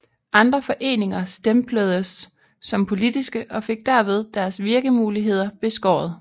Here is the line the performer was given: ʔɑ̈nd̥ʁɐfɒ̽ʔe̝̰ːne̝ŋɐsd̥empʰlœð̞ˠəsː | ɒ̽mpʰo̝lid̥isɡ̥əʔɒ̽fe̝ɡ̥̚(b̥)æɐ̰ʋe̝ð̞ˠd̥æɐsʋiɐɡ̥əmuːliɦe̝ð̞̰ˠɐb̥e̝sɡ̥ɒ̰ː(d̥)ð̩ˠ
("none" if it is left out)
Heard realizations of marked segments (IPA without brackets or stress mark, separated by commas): d̥, none